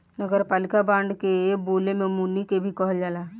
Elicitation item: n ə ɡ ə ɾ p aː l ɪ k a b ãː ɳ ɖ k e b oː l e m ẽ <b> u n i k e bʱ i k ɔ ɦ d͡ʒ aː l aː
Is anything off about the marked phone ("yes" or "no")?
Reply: yes